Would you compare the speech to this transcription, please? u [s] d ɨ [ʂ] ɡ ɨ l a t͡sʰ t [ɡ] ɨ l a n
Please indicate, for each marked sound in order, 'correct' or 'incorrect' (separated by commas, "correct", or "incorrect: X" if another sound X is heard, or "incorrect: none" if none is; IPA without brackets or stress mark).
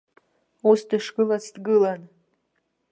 correct, correct, correct